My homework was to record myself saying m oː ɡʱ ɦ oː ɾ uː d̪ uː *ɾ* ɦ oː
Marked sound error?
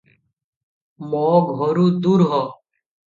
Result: no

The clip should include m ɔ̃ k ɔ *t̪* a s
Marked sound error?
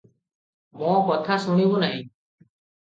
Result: yes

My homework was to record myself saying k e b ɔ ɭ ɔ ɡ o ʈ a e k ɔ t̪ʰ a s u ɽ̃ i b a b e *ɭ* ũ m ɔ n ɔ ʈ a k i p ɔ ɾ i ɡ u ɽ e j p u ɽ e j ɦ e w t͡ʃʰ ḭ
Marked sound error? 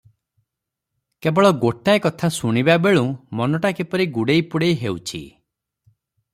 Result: no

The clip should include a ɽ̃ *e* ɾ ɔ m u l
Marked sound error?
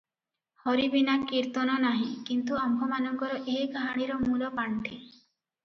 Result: yes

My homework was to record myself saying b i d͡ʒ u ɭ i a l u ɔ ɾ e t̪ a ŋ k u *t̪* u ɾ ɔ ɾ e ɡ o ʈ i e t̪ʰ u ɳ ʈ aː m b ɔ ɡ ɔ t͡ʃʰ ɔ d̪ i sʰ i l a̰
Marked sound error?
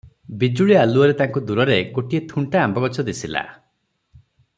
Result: yes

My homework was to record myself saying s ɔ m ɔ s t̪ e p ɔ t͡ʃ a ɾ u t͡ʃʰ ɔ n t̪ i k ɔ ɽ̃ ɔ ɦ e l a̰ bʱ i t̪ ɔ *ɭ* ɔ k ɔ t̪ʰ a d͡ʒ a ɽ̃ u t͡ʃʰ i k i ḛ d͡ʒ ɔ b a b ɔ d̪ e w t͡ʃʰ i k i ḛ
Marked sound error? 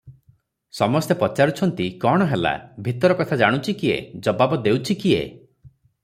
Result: yes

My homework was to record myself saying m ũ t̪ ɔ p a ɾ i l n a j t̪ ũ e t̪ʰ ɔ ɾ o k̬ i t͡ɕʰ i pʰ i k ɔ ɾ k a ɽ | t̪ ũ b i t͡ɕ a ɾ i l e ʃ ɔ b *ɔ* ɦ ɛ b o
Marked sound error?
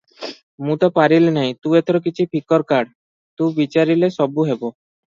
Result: yes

